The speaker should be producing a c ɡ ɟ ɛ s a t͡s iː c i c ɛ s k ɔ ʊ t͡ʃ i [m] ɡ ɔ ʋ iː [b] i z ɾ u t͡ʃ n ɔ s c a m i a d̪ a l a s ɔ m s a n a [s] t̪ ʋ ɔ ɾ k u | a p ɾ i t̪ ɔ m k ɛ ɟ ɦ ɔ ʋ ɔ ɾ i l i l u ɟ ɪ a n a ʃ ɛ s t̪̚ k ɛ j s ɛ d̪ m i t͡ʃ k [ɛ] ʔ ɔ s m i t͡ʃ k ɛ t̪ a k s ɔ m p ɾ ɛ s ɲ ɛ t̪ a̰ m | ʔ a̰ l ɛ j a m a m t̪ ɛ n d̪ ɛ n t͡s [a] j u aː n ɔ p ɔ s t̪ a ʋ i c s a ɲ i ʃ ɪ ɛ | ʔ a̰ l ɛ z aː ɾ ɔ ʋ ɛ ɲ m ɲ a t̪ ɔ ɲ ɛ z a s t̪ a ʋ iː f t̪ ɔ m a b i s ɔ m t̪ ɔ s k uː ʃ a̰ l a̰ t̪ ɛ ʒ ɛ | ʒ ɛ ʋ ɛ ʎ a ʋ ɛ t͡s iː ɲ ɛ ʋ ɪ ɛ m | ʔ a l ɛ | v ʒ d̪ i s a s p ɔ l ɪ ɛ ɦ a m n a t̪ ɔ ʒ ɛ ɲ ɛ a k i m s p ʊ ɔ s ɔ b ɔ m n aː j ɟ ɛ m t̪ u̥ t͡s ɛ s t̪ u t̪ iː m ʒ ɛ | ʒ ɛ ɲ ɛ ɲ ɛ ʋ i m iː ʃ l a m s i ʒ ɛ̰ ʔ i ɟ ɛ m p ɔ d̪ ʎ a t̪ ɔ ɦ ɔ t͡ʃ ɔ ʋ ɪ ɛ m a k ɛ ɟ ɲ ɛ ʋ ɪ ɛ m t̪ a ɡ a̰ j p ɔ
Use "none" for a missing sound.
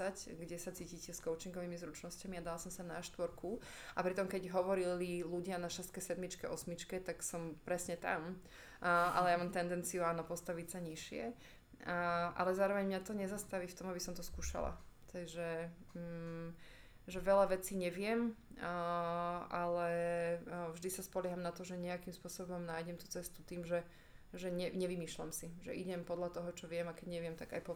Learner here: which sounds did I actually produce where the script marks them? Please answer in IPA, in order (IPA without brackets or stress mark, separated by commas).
ŋ, m, ʃ, ɛ, i